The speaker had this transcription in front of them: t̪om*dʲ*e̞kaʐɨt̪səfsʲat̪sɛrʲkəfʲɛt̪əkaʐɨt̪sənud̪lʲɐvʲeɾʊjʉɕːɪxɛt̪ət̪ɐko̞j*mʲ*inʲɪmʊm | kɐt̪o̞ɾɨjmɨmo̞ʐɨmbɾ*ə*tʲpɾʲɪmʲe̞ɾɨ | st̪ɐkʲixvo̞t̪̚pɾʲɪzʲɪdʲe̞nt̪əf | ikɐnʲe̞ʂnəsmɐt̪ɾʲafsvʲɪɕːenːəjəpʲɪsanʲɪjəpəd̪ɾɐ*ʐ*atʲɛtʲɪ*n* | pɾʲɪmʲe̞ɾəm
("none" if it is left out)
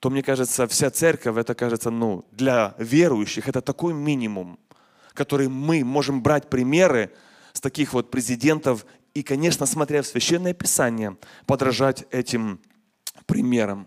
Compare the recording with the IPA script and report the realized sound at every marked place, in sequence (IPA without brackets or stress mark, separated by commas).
nʲ, mʲ, a, ʐ, m